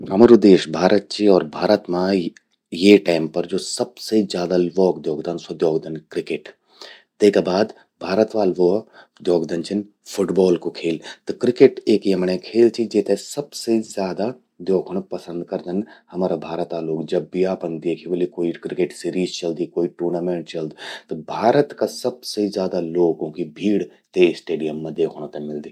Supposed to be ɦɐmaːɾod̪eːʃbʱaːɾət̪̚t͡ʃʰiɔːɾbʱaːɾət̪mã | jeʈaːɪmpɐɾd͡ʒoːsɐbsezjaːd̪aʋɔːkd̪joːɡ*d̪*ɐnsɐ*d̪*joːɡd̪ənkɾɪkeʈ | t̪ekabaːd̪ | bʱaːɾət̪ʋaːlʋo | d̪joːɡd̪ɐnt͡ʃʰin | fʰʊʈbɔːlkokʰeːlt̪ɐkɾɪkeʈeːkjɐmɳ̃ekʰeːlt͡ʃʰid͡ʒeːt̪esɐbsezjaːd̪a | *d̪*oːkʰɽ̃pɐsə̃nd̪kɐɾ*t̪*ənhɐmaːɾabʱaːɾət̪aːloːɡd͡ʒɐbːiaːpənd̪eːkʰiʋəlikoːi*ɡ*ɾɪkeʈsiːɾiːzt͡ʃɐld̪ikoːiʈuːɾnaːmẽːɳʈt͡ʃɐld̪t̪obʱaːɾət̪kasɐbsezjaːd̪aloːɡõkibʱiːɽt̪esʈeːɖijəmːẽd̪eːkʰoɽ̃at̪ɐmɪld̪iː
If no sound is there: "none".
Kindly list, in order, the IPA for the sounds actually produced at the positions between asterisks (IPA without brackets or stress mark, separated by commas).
d̪, d̪, d̪, d̪, k